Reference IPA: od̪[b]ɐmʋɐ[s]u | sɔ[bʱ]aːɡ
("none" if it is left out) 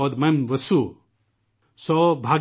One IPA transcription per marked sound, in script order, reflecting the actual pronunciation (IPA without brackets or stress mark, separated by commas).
m, s, bʱ